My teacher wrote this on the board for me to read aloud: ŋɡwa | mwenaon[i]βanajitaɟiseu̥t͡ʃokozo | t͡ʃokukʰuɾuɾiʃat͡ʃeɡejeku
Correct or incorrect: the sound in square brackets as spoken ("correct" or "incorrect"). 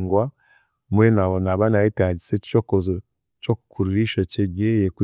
incorrect